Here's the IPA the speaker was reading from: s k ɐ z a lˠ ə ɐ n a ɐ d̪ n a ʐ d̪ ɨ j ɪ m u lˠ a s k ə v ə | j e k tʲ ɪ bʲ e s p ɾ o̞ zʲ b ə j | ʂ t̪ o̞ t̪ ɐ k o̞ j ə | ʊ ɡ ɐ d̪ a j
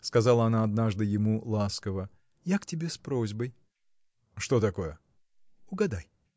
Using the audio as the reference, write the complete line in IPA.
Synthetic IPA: s k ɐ z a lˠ ə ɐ n a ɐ d̪ n a ʐ d̪ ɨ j ɪ m u lˠ a s k ə v ə | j a k tʲ ɪ bʲ e s p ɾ o̞ zʲ b ə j | ʂ t̪ o̞ t̪ ɐ k o̞ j ə | ʊ ɡ ɐ d̪ a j